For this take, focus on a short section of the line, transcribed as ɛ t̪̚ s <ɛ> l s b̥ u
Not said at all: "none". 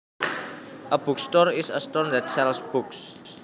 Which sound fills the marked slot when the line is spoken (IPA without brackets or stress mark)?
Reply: ɛ